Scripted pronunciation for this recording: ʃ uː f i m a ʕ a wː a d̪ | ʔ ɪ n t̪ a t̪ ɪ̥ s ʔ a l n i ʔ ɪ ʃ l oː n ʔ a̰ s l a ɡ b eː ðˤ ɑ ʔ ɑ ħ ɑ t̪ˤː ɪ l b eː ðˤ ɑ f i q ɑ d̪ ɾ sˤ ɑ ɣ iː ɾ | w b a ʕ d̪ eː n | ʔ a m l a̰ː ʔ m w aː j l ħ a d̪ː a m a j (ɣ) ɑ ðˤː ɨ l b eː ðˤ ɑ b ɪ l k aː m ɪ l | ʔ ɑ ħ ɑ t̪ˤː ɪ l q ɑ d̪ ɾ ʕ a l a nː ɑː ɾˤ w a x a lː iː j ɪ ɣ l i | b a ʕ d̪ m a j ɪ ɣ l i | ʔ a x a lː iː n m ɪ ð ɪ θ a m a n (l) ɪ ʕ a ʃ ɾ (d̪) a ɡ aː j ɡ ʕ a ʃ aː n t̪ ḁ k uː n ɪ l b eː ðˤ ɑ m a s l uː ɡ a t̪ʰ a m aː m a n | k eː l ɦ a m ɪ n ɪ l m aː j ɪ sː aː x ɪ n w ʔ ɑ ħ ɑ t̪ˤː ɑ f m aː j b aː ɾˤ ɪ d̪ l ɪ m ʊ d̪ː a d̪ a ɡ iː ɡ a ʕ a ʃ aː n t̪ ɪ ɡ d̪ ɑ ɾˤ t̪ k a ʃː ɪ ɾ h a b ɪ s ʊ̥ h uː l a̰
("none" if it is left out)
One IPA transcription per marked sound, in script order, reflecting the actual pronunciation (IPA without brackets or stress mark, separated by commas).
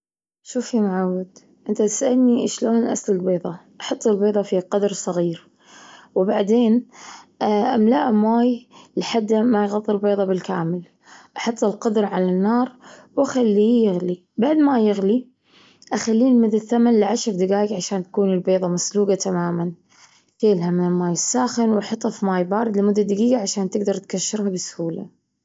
ɣ, l, d̪